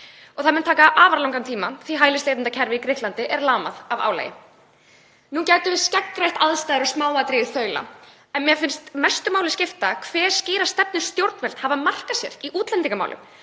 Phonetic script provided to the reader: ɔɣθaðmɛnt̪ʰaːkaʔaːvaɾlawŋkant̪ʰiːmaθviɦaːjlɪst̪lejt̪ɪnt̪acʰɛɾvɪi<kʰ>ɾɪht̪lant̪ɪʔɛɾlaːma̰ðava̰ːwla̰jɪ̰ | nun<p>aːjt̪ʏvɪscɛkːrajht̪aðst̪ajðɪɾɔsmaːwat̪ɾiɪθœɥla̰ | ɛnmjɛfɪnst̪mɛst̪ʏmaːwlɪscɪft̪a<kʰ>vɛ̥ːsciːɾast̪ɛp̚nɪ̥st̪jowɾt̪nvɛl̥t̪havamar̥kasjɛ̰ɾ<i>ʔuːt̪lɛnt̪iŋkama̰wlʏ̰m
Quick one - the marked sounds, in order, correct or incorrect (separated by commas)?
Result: incorrect, incorrect, correct, correct